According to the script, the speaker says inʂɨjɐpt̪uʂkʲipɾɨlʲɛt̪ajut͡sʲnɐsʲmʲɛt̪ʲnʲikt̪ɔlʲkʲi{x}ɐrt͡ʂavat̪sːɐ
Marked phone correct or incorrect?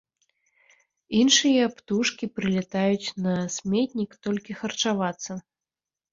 correct